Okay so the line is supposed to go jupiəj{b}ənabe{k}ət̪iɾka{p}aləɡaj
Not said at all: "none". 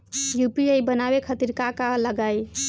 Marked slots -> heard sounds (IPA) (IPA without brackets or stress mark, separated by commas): b, kʰ, k